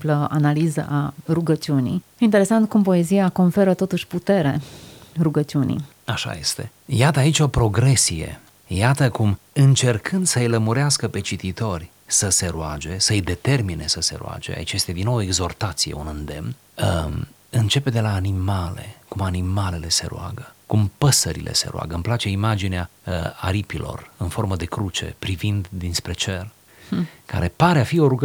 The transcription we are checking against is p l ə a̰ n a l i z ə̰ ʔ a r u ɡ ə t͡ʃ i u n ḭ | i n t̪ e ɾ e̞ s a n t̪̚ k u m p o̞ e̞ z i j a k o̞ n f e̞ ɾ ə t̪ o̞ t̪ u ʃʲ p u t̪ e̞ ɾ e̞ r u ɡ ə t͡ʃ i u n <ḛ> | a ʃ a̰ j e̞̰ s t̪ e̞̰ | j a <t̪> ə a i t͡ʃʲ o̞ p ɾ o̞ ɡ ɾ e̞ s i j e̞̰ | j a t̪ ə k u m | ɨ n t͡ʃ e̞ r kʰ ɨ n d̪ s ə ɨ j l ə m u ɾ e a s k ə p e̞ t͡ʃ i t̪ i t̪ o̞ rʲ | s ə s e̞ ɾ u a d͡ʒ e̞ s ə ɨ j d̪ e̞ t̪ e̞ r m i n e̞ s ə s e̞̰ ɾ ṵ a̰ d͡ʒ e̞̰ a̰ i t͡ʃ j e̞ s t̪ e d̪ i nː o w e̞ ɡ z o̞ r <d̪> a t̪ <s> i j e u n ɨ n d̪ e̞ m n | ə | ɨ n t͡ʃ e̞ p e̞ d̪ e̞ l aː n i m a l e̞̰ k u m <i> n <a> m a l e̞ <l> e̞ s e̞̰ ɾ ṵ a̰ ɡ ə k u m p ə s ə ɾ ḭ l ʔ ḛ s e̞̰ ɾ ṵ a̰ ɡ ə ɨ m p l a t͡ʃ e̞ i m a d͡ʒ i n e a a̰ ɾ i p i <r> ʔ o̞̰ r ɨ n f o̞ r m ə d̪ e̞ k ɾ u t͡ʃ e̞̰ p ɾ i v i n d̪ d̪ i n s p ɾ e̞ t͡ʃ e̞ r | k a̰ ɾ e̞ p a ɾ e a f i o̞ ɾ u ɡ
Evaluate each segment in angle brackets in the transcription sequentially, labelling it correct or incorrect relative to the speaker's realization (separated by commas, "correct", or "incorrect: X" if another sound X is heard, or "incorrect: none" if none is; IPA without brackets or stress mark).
incorrect: ḭ, correct, incorrect: t̪, correct, incorrect: a, incorrect: i, correct, incorrect: l